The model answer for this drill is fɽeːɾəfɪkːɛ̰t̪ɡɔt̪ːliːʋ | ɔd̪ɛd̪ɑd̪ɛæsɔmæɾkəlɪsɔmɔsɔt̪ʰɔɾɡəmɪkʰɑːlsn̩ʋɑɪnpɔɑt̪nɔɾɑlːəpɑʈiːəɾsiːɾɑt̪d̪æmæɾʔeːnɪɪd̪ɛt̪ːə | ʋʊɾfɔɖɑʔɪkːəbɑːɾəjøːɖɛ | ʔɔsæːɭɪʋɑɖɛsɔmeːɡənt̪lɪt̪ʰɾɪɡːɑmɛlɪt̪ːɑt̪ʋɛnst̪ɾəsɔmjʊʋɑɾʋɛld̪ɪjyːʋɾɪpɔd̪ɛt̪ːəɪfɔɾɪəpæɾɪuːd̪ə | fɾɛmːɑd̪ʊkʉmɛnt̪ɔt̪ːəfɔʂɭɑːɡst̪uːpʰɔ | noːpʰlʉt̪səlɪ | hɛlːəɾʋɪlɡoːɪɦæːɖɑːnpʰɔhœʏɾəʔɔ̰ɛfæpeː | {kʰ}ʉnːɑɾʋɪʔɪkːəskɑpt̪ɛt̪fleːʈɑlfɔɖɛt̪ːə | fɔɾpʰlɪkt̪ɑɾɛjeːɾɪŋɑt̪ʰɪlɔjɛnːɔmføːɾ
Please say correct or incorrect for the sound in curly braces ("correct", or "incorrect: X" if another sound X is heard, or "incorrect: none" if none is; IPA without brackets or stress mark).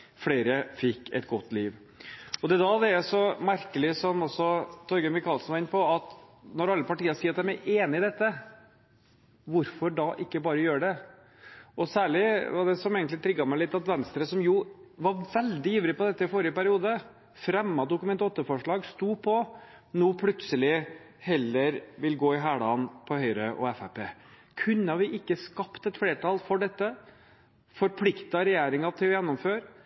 correct